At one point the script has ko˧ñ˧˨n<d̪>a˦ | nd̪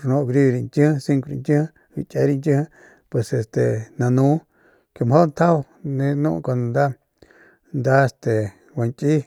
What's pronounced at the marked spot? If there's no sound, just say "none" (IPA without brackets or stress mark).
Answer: d̪